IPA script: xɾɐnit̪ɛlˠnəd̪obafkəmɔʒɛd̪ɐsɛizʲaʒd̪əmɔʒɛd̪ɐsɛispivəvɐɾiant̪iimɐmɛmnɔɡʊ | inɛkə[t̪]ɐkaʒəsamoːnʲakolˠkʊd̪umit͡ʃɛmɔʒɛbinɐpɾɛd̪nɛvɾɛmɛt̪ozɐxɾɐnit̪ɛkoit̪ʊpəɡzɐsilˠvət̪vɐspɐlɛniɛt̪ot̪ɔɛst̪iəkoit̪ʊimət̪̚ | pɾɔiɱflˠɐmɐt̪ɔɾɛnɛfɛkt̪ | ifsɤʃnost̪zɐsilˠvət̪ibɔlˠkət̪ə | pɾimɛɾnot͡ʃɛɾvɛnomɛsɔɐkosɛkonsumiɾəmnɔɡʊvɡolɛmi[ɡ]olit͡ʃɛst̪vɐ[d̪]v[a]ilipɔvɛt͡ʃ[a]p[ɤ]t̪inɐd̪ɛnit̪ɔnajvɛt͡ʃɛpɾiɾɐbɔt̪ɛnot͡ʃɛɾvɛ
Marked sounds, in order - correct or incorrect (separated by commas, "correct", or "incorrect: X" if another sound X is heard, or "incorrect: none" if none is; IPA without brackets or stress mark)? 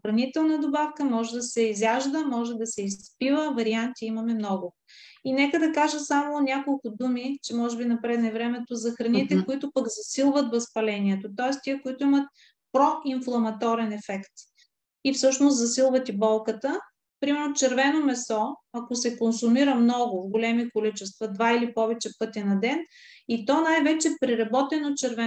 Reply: incorrect: d̪, incorrect: k, correct, correct, incorrect: ɛ, correct